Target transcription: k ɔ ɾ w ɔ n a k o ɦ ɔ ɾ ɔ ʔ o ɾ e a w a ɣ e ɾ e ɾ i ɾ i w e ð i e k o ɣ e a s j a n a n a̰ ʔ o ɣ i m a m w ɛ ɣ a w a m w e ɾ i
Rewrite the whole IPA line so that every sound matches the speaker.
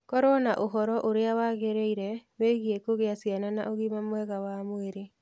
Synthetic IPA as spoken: k ɔ ɾ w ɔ n a ʔ o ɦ ɔ ɾ ɔ ʔ o ɾ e a w a ɣ e ɾ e i ɾ ɛ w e ɣ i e k o ɣ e a s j a n a n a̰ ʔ o ɣ i m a m w ɛ ɣ a w a m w e ɾ e